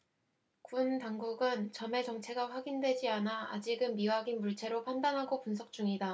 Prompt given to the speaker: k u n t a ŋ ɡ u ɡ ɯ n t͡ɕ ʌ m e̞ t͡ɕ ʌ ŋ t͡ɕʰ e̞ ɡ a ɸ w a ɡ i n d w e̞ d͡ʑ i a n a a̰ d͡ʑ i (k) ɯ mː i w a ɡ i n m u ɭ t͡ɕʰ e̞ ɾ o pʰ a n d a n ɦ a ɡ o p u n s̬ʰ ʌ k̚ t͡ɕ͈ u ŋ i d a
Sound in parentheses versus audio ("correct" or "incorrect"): incorrect